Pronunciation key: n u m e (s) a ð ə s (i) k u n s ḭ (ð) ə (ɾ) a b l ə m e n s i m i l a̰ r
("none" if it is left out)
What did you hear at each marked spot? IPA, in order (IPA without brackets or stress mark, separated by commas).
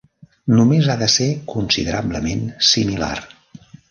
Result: z, e, ð, ɾ